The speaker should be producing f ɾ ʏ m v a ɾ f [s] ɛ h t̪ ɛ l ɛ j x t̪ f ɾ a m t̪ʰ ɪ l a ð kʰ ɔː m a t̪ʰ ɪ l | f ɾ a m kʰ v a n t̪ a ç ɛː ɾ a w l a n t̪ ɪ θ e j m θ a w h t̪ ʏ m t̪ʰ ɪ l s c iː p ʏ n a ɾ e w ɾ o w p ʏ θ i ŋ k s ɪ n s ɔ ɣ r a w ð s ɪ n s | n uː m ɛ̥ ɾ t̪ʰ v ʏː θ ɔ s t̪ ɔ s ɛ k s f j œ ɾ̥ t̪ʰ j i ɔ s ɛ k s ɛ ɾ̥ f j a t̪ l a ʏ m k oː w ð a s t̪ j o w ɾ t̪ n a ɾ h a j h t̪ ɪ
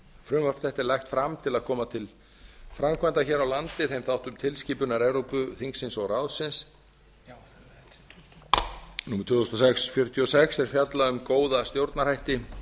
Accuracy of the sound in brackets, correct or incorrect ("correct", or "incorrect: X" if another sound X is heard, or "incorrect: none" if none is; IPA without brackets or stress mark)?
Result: incorrect: θ